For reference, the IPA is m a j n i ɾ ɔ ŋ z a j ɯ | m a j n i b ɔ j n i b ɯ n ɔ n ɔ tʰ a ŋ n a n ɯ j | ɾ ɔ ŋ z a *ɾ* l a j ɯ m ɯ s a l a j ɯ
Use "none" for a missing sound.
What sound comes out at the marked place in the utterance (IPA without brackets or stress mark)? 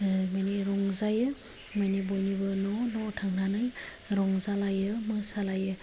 none